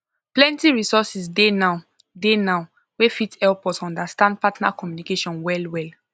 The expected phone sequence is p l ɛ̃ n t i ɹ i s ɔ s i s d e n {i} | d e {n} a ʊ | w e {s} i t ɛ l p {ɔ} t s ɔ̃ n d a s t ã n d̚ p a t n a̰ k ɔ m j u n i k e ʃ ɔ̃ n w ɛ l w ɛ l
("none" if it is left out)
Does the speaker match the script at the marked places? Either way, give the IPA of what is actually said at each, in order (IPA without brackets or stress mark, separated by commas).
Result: a, n, f, ɔ